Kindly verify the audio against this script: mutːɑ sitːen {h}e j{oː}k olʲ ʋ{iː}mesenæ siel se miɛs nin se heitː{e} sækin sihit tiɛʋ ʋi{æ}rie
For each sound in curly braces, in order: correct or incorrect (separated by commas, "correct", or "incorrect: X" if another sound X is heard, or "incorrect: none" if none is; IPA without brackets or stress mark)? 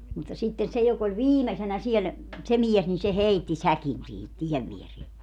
incorrect: s, incorrect: o, correct, incorrect: i, incorrect: e